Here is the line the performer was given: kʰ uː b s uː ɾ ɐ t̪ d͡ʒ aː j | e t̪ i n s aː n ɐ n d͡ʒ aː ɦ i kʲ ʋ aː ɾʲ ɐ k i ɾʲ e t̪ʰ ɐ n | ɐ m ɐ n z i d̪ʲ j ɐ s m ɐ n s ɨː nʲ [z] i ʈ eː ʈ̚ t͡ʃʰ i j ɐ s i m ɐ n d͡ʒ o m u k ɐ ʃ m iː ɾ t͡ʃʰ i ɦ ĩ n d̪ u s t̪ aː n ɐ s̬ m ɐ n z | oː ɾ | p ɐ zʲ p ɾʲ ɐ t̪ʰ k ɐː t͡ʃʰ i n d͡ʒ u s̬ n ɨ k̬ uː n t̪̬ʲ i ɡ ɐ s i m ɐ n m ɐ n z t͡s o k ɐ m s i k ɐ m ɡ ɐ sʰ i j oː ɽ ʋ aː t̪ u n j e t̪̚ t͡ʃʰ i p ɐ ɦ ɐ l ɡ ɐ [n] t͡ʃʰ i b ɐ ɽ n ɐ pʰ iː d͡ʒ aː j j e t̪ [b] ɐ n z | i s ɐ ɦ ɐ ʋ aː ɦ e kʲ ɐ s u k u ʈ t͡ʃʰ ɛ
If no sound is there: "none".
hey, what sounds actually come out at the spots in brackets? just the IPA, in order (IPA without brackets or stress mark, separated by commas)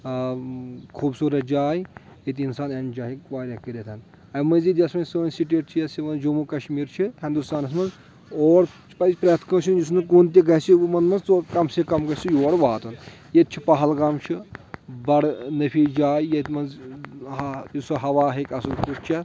s, m, m